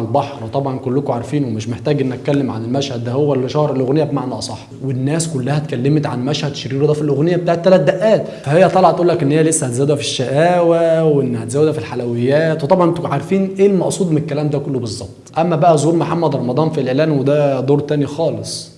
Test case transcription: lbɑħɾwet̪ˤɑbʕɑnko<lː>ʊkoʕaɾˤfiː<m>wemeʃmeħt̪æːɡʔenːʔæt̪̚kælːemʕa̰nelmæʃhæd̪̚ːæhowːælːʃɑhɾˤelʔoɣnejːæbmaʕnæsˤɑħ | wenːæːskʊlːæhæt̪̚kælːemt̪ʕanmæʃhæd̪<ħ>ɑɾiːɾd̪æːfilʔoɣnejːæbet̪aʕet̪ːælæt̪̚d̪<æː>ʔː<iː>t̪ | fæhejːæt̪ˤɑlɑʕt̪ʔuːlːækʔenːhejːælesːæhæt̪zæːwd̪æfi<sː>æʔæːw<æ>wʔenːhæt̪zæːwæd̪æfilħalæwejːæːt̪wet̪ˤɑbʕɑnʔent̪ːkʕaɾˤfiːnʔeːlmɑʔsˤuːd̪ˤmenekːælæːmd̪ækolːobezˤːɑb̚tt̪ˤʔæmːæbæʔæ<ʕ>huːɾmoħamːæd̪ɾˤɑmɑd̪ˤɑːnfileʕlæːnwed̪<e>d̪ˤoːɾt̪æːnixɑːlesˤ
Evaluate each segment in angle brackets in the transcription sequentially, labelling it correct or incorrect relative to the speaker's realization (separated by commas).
correct, incorrect, incorrect, incorrect, incorrect, incorrect, correct, incorrect, incorrect